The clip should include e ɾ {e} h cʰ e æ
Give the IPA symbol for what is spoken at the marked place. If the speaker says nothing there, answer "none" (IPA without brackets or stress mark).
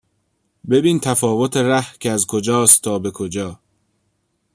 æ